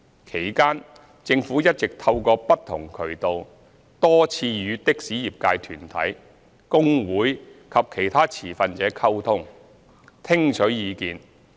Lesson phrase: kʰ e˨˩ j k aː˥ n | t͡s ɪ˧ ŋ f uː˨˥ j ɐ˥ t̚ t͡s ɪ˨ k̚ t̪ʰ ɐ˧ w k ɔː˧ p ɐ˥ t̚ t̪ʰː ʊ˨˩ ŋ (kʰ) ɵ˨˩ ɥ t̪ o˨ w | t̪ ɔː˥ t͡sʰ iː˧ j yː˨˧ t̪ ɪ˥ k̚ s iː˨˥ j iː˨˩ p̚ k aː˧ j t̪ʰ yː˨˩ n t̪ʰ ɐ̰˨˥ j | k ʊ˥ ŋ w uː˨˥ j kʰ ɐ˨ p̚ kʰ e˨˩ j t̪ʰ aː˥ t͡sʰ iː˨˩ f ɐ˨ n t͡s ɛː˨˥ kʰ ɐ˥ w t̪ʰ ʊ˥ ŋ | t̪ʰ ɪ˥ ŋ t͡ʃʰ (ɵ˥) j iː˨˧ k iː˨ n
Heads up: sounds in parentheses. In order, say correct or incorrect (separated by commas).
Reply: correct, incorrect